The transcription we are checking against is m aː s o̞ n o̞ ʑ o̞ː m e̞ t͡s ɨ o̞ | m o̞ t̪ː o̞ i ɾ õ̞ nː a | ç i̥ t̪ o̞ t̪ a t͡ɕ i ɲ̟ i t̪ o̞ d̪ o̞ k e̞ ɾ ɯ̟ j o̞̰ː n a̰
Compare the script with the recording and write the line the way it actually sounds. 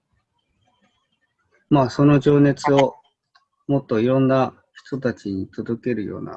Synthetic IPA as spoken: m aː s o̞ n o̞ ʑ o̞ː n e̞ t͡s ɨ o̞ | m o̞ t̪ː o̞ i ɾ õ̞ nː a | ç i̥ t̪ o̞ t̪ a t͡ɕ i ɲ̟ i t̪ o̞ d̪ o̞ k e̞ ɾ ɯ̟ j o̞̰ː n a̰